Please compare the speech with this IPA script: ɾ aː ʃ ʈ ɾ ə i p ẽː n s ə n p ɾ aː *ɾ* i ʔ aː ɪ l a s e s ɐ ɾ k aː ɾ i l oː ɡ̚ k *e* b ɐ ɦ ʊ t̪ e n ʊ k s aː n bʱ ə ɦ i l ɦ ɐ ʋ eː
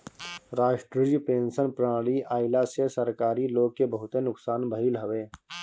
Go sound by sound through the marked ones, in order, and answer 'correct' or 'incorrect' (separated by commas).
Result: incorrect, correct